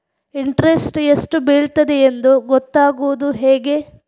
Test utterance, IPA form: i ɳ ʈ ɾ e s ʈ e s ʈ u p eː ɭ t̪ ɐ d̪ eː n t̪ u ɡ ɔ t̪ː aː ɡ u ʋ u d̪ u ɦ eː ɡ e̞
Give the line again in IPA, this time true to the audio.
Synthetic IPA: i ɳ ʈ ɾ e s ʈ e s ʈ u b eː ɭ t̪ ɐ d̪ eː n d̪ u ɡ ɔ t̪ː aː ɡ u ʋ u d̪ u ɦ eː ɡ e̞